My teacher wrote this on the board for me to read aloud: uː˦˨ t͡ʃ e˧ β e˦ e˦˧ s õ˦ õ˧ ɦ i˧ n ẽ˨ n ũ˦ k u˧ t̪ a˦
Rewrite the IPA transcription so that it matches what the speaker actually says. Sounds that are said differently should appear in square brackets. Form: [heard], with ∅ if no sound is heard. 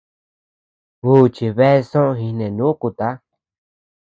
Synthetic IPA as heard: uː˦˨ t͡ʃ [i˧] β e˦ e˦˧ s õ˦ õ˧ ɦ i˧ n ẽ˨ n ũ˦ k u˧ t̪ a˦